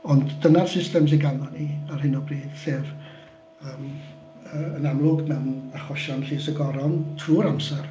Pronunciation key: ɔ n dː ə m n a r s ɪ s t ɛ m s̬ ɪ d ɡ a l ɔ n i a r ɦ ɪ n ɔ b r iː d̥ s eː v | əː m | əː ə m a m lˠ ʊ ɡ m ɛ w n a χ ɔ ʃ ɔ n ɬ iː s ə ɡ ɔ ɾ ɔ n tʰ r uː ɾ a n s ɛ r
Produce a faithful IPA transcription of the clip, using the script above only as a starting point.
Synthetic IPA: ɔ n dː ə n a r s ɪ s t ɛ m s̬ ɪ n ɡ a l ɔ n i a r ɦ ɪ n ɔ b r iː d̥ s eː v | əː m | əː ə n a m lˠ ʊ ɡ m ɛ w n a χ ɔ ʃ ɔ n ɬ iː s ə ɡ ɔ ɾ ɔ n tʰ r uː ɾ a m s ɛ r